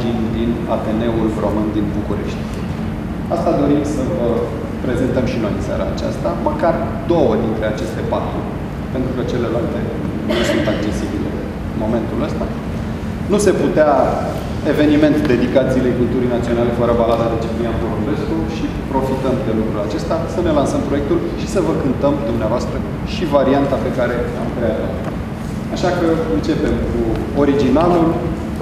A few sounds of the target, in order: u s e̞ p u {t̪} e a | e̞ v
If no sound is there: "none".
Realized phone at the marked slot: t̪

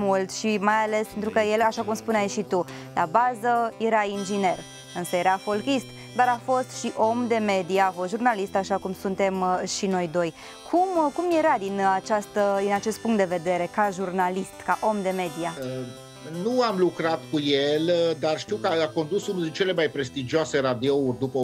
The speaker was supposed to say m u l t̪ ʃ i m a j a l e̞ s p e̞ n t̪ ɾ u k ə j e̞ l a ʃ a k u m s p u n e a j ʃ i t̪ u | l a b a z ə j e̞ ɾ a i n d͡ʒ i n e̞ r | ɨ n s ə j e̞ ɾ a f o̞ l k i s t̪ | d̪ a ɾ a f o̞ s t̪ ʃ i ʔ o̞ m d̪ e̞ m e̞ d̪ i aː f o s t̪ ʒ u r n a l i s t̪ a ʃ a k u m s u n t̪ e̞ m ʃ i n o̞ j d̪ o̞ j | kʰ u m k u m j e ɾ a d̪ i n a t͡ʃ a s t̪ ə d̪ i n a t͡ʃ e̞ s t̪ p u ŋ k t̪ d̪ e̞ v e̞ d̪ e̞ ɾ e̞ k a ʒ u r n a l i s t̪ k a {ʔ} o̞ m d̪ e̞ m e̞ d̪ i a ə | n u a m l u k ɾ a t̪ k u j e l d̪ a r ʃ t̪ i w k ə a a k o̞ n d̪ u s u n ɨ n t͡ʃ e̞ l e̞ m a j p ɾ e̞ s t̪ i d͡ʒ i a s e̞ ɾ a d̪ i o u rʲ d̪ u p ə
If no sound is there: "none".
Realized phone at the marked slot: ʔ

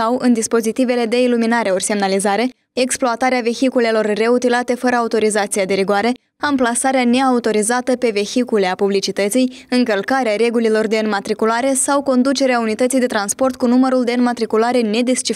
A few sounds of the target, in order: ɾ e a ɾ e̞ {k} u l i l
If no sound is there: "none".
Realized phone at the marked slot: ɡ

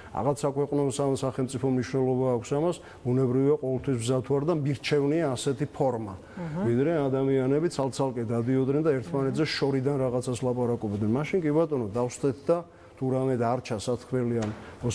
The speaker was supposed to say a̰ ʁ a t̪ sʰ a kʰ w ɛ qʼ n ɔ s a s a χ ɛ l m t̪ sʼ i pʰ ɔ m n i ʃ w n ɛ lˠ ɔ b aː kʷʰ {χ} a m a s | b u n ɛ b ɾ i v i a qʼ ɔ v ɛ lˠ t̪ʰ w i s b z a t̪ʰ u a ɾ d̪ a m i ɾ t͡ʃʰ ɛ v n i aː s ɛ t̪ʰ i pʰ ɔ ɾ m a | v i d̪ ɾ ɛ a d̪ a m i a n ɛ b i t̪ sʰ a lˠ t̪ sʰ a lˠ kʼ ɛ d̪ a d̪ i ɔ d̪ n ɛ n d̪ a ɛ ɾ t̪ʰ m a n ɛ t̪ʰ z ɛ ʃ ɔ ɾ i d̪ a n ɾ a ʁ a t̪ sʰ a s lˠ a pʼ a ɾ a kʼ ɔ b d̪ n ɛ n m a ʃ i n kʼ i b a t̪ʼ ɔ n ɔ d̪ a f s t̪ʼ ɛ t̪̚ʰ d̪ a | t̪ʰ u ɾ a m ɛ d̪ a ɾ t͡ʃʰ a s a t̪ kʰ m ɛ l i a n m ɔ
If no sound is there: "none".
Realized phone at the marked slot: s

